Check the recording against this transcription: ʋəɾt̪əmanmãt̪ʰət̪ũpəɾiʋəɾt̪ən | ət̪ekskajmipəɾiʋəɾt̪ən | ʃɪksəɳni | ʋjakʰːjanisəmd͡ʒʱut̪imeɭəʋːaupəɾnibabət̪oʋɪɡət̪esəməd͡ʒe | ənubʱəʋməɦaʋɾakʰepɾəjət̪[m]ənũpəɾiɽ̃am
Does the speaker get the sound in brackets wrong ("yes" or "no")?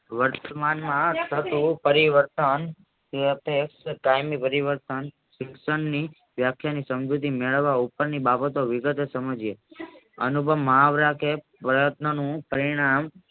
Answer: yes